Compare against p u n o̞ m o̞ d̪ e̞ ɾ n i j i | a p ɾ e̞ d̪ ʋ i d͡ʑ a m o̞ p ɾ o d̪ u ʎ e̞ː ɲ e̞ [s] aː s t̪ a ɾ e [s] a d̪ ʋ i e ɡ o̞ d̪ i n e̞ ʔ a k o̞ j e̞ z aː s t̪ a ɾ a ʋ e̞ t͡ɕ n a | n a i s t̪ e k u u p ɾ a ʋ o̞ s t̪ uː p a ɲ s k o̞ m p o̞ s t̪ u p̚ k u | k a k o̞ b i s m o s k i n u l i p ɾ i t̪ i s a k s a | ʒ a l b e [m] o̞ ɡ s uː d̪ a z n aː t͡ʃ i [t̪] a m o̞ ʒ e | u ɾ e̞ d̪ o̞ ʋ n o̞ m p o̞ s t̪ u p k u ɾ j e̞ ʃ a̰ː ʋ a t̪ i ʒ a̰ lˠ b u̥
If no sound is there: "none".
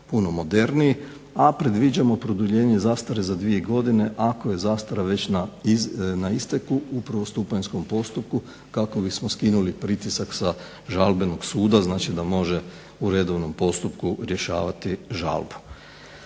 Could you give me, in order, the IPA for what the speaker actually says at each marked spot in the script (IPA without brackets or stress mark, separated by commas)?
z, z, n, d̪